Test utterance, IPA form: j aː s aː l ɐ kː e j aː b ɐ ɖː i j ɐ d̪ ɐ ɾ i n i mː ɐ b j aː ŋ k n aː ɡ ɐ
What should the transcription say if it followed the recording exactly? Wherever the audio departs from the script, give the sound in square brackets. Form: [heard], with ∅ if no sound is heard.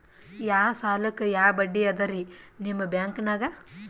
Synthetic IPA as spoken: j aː s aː l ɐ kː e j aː b ɐ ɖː i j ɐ d̪ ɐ ɾ i n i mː ɐ b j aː ŋ k n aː ɡ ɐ